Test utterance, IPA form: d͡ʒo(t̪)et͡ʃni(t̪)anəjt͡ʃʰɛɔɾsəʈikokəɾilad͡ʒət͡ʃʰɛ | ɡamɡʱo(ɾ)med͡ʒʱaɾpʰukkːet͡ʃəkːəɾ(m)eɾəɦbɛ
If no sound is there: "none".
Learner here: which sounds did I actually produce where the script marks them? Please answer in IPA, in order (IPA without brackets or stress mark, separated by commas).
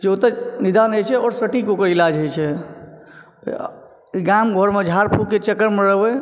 t̪, d̪, ɾ, m